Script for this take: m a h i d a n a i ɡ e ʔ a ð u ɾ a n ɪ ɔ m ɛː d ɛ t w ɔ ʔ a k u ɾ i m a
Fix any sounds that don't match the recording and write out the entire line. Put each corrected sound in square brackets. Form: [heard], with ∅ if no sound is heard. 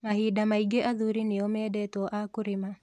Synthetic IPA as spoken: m a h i d a [m] a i ɡ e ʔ a ð u ɾ [i] n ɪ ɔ m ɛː d ɛ t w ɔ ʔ a k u ɾ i m a